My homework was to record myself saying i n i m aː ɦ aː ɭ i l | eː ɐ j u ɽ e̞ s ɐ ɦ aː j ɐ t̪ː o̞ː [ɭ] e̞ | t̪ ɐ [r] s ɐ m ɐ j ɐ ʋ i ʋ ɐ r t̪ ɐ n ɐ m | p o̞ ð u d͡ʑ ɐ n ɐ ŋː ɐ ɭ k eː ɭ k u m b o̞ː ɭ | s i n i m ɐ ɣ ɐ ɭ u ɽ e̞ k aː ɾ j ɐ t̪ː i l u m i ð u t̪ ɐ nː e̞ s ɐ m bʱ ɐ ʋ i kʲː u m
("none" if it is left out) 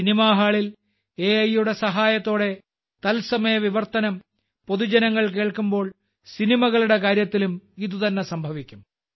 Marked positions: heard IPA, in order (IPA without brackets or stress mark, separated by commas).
ɽ, l